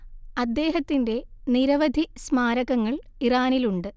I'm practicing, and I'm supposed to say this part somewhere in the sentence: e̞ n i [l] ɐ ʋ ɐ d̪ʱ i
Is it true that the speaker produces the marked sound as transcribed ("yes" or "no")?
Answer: no